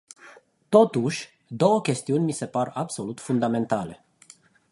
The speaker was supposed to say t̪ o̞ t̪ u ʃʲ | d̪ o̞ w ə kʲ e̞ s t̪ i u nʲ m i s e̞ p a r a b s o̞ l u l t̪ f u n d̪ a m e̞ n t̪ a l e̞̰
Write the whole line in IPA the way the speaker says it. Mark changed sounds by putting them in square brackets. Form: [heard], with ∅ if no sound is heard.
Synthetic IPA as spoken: t̪ o̞ t̪ u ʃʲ | d̪ o̞ w ə kʲ e̞ s t̪ i u nʲ m i s e̞ p a r a b s o̞ l u [∅] t̪ f u n d̪ a m e̞ n t̪ a l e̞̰

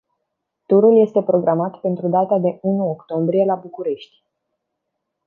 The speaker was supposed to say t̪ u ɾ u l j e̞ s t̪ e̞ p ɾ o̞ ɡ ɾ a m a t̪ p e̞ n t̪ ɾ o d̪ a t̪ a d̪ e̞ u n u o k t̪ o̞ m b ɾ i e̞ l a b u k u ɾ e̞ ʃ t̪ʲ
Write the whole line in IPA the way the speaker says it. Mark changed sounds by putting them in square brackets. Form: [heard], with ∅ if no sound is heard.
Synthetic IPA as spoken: t̪ u ɾ u l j e̞ s t̪ e̞ p ɾ o̞ ɡ ɾ a m a t̪ p e̞ n t̪ ɾ [u] d̪ a t̪ a d̪ e̞ u n u o k t̪ o̞ m b ɾ i e̞ l a b u k u ɾ e̞ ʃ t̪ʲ

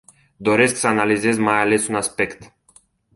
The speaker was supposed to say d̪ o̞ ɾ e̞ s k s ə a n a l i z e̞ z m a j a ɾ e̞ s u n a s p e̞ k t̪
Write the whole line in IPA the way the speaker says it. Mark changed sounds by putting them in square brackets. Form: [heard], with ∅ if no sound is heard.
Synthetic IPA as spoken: d̪ o̞ ɾ e̞ s k s ə a n a l i z e̞ z m a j a [l] e̞ s u n a s p e̞ k t̪

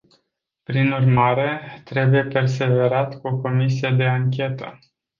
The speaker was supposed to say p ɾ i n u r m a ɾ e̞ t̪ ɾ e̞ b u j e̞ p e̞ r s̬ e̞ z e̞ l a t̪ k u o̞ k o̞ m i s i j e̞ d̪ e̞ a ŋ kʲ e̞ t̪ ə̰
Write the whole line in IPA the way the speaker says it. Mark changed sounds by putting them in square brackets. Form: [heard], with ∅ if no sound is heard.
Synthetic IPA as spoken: p ɾ i n u r m a ɾ e̞ t̪ ɾ e̞ b u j e̞ p e̞ r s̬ e̞ [v] e̞ [ɾ] a t̪ k u o̞ k o̞ m i s i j e̞ d̪ e̞ a ŋ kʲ e̞ t̪ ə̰

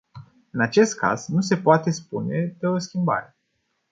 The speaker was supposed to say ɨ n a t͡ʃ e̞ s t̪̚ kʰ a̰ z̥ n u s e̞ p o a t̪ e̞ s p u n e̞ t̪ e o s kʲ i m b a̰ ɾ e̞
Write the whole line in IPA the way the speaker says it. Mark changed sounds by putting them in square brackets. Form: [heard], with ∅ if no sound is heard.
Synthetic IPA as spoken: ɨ n a t͡ʃ e̞ s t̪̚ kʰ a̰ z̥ n u s e̞ p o a t̪ e̞ s p u n e̞ [d̪] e o s kʲ i m b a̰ ɾ e̞

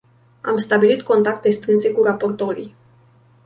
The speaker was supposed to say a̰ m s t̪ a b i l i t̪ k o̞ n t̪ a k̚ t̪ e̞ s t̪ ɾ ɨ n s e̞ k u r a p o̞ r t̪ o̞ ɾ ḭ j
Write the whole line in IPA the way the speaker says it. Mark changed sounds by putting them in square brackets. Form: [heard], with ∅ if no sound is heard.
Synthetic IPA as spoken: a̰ m s t̪ a b i l i t̪ k o̞ n t̪ a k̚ t̪ e̞ s t̪ ɾ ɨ n s e̞ k u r a p o̞ r t̪ o̞ ɾ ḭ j

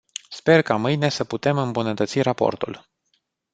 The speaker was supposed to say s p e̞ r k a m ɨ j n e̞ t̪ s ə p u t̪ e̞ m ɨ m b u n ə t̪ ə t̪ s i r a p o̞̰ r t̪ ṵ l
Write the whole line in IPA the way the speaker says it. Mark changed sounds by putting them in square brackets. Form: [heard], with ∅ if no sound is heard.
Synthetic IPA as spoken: s p e̞ r k a m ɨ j n e̞ [∅] s ə p u t̪ e̞ m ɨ m b u n ə t̪ ə t̪ s i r a p o̞̰ r t̪ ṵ l

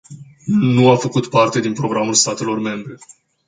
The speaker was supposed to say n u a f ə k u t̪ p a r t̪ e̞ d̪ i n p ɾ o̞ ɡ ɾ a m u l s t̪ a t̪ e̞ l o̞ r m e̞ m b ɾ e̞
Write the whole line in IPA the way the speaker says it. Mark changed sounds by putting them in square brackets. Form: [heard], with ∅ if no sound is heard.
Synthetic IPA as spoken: n u a f ə k u t̪ p a r t̪ e̞ d̪ i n p ɾ o̞ ɡ ɾ a m u l s t̪ a t̪ e̞ l o̞ r m e̞ m b ɾ e̞

